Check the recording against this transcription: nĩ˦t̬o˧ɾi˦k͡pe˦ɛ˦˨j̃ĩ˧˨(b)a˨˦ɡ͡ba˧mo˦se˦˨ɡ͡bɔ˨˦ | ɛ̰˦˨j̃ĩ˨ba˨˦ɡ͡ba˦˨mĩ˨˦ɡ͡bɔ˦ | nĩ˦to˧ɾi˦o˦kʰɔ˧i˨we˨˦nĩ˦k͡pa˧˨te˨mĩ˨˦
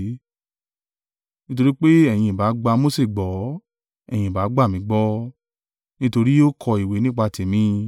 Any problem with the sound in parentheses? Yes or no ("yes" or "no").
no